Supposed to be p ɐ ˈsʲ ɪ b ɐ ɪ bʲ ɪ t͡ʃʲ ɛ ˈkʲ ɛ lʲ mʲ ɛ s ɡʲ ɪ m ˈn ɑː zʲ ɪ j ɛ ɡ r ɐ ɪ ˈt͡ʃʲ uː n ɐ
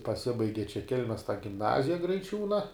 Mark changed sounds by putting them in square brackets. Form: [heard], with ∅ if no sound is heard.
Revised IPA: p ɐ ˈsʲ ɪ b ɐ ɪ [ɡʲ] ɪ t͡ʃʲ ɛ ˈkʲ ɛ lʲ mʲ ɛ s ɡʲ ɪ m ˈn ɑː zʲ ɪ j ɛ ɡ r ɐ ɪ ˈt͡ʃʲ uː n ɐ